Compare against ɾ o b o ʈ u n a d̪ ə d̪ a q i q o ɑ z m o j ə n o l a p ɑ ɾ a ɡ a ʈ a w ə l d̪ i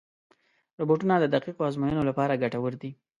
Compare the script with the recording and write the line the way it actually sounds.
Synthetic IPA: ɾ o b o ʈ u n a d̪ ə d̪ a q i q o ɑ z m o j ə n o l a p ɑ ɾ a ɡ a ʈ a w ə ɾ d̪ i